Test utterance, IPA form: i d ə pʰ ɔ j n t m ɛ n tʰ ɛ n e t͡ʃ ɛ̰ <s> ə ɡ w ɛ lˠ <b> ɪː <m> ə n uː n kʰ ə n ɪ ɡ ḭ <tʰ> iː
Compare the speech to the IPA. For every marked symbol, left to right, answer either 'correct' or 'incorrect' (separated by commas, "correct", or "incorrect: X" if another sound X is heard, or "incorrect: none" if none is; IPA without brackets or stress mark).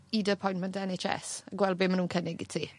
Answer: correct, correct, correct, correct